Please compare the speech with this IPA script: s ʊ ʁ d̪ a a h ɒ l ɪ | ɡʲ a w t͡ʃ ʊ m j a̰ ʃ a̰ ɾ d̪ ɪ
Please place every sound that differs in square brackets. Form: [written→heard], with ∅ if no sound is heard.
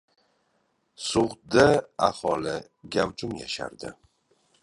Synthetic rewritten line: s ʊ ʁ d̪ a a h ɒ l ɪ | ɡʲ a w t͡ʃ ʊ m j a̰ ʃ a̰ ɾ d̪ ɪ